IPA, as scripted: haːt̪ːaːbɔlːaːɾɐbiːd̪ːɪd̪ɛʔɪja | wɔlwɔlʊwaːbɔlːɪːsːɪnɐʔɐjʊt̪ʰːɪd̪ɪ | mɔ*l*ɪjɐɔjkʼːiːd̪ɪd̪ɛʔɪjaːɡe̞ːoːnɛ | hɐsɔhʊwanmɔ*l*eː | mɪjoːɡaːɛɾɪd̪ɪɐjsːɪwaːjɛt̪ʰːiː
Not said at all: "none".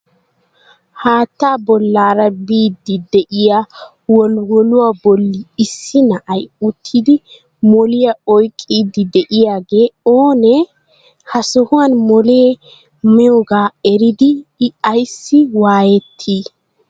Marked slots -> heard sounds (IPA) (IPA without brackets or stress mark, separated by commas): l, l